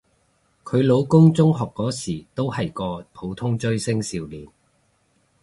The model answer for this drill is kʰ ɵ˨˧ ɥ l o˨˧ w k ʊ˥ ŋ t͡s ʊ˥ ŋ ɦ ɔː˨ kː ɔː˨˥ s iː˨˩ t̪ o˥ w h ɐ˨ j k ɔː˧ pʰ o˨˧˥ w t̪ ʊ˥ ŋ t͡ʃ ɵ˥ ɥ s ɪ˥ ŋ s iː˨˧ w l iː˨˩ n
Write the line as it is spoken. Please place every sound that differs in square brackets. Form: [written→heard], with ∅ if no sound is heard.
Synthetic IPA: kʰ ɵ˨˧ ɥ l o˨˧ w k ʊ˥ ŋ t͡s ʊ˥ ŋ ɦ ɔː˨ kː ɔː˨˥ s iː˨˩ t̪ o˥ w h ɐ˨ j k ɔː˧ pʰ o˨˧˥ w [t̪→t̪ʰ] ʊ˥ ŋ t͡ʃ ɵ˥ ɥ s ɪ˥ ŋ s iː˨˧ w l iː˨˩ n

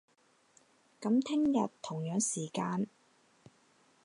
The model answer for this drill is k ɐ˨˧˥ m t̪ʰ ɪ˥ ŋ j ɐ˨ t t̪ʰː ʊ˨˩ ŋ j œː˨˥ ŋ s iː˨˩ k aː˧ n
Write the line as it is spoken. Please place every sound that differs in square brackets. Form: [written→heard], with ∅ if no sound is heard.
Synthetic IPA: k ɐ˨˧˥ m t̪ʰ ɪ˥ ŋ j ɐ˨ t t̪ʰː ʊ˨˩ ŋ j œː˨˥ ŋ s iː˨˩ k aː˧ n

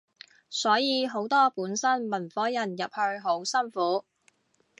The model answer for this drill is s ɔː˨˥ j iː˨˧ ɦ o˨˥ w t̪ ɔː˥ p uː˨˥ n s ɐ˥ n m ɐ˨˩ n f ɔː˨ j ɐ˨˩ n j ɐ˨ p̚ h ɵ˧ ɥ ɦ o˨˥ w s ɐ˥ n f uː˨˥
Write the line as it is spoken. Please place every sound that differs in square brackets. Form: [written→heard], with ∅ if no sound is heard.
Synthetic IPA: s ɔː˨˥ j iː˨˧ ɦ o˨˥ w t̪ ɔː˥ p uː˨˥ n s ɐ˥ n m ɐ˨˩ n f [ɔː˨→ɔː˨˥] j ɐ˨˩ n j ɐ˨ p̚ h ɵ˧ ɥ ɦ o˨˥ w s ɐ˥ n f uː˨˥

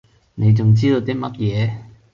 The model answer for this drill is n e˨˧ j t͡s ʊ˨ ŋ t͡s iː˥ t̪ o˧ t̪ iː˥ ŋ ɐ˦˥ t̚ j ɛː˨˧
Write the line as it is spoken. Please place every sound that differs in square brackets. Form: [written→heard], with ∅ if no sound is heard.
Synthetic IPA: n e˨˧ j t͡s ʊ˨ ŋ t͡s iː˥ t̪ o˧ t̪ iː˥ [ŋ→m] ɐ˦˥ t̚ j ɛː˨˧

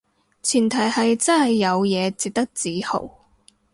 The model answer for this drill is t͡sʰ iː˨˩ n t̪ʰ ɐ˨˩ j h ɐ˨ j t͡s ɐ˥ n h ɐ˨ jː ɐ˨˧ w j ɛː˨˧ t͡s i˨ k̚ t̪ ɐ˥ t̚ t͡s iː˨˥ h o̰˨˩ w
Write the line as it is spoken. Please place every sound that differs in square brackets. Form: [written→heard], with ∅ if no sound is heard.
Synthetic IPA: t͡sʰ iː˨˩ n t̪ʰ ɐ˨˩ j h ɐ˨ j t͡s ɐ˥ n h ɐ˨ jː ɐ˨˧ w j ɛː˨˧ t͡s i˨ k̚ t̪ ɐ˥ [t̚→k̚] t͡s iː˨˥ h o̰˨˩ w

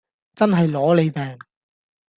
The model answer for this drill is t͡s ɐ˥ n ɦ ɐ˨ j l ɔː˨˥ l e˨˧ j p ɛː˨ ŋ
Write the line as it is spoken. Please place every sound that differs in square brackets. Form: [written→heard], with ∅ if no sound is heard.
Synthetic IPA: t͡s ɐ˥ n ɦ ɐ˨ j l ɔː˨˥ l e˨˧ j p ɛː˨ ŋ

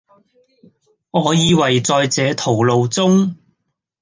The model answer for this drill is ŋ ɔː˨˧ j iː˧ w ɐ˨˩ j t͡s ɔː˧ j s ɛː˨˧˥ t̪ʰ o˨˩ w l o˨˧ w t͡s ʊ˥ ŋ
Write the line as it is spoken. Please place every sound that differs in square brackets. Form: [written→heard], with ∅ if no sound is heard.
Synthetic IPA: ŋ ɔː˨˧ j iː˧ w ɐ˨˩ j t͡s ɔː˧ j [s→t͡s] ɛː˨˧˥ t̪ʰ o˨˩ w l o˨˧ w t͡s ʊ˥ ŋ

